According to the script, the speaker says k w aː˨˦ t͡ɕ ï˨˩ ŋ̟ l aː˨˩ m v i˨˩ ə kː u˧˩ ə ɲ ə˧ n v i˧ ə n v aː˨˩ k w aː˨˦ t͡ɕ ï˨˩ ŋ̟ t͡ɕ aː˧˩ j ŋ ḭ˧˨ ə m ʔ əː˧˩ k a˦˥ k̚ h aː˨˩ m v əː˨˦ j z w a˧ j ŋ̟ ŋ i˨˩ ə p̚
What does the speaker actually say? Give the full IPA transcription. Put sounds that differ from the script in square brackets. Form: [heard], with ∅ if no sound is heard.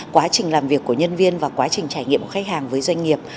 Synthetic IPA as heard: k w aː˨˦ t͡ɕ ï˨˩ ŋ̟ l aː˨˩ m v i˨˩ ə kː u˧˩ ə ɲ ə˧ n v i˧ ə n v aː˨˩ k w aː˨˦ t͡ɕ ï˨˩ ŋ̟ t͡ɕ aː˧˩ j ŋ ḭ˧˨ ə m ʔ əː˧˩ [x] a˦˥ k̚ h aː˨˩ [ŋ] v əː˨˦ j z w a˧ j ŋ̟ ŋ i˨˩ ə p̚